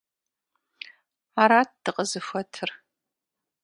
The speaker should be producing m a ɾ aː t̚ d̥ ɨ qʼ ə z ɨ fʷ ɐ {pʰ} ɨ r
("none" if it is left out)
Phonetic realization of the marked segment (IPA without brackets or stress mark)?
tʰ